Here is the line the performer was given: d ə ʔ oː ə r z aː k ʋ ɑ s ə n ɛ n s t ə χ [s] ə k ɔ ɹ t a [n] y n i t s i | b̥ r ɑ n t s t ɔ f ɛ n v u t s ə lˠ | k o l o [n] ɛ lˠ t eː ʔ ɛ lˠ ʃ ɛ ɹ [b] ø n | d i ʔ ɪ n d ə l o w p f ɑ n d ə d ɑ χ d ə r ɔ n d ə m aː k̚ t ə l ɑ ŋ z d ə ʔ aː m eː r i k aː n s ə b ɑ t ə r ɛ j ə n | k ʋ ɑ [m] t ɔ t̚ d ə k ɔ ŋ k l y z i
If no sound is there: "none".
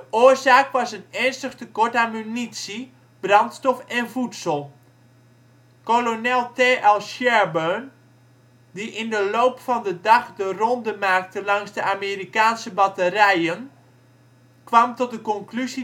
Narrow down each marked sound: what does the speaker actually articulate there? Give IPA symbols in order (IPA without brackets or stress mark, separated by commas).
t, m, n, b, m